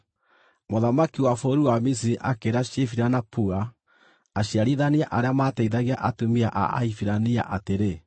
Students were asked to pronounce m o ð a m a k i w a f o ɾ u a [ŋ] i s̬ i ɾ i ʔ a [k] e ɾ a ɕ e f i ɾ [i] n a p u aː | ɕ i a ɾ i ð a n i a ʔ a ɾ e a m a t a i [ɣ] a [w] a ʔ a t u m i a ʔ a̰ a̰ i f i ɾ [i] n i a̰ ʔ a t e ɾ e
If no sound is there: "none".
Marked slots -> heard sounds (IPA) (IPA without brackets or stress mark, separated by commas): m, k, a, ð, ɣ, a